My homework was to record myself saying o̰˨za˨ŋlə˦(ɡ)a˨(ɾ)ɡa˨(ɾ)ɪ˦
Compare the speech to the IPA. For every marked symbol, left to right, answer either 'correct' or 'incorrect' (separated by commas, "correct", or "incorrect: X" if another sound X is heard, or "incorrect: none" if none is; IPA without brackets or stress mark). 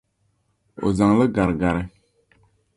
correct, correct, correct